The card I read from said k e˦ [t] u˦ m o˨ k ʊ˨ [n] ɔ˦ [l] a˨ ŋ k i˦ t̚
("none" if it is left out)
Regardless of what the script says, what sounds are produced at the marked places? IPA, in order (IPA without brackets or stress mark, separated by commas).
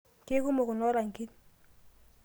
k, n, ɾ